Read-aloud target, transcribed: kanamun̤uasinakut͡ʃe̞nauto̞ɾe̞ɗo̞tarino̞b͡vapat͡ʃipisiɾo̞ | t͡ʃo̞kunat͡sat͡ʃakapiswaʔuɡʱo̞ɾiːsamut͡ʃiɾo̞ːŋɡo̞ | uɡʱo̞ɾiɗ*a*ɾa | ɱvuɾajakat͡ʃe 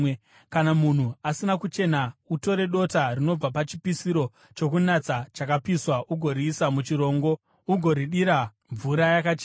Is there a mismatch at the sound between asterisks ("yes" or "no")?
yes